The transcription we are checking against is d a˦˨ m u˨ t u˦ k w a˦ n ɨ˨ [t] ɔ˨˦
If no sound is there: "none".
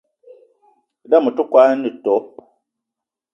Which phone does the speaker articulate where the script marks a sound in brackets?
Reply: t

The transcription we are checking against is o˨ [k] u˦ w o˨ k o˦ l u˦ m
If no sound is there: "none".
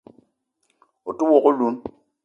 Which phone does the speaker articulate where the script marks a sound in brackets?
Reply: t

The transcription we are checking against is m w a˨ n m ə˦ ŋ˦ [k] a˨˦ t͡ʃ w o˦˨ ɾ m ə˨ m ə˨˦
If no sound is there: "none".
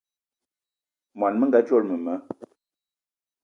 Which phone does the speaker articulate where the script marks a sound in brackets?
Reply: ɡ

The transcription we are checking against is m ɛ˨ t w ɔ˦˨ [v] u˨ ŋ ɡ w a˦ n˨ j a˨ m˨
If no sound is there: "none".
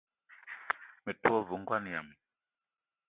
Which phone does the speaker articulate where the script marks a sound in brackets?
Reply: v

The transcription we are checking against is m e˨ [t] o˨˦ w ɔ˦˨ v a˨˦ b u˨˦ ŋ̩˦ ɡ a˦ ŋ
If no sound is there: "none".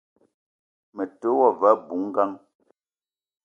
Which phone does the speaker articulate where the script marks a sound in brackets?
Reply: t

